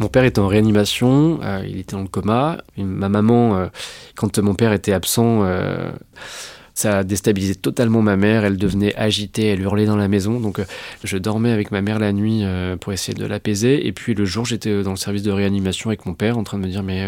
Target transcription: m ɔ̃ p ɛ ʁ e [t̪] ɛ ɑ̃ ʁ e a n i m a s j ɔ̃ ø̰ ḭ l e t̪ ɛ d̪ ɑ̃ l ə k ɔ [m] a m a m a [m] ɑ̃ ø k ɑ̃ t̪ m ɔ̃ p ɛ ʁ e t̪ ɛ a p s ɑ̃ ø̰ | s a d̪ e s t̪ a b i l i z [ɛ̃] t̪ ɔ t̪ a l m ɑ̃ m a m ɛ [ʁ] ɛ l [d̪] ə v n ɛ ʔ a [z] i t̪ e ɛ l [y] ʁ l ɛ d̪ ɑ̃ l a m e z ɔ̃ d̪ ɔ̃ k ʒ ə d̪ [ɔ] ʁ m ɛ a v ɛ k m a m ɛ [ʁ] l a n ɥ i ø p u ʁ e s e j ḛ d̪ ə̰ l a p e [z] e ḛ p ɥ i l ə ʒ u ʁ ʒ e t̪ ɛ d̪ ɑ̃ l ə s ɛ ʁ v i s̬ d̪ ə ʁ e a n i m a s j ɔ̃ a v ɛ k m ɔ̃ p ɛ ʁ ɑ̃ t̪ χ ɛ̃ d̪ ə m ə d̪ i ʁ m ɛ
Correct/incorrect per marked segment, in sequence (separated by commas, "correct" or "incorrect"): correct, correct, correct, incorrect, correct, correct, incorrect, correct, correct, correct, correct